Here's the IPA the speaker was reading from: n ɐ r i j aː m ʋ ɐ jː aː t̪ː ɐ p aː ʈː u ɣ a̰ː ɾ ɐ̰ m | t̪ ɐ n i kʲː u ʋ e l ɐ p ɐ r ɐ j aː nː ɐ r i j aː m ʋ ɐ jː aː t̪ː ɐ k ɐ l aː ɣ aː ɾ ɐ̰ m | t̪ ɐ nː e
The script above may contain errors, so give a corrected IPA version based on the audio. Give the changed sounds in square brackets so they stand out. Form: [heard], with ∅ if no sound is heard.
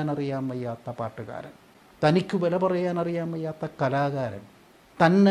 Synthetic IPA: n ɐ r i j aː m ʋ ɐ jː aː t̪ː ɐ p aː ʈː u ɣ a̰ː ɾ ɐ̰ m | t̪ ɐ n i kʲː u ʋ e l ɐ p ɐ r ɐ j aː [n] ɐ r i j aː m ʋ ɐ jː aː t̪ː ɐ k ɐ l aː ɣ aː ɾ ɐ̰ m | t̪ ɐ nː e